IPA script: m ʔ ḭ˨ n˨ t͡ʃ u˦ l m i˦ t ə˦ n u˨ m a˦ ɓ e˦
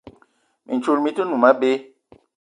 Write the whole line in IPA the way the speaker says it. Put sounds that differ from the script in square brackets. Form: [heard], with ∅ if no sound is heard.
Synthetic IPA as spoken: m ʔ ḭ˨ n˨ t͡ʃ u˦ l m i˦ t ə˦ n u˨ m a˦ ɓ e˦